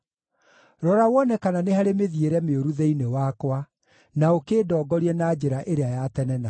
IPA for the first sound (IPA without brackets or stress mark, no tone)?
ɾ